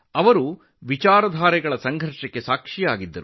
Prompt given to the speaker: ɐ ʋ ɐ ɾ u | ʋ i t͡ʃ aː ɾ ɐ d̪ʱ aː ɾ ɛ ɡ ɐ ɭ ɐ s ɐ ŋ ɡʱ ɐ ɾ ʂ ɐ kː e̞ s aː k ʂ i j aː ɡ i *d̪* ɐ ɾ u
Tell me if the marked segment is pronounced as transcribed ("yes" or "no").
no